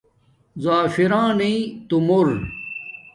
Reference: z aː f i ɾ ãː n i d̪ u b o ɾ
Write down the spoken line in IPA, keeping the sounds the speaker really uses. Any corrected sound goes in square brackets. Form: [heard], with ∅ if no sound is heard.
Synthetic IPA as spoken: z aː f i ɾ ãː n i [t̪] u [m] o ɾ